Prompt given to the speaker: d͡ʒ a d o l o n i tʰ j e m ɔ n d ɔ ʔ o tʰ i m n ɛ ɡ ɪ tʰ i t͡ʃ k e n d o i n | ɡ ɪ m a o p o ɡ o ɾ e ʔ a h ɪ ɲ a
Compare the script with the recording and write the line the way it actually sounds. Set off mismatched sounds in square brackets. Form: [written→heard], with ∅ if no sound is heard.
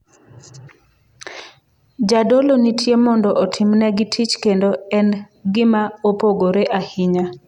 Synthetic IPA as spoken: d͡ʒ a d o l o n i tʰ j e m ɔ n d ɔ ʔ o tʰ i m n ɛ ɡ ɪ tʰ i t͡ʃ k e n d o [i→ɛ] n | ɡ ɪ m a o p o ɡ o ɾ e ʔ a h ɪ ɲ a